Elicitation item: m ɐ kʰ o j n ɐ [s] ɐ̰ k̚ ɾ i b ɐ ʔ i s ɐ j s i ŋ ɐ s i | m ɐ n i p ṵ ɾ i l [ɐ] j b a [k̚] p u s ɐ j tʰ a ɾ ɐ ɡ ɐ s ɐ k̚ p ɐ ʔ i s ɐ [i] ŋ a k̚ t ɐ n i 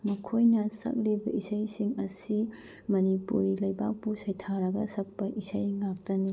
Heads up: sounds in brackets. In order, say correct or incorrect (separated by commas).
correct, correct, correct, incorrect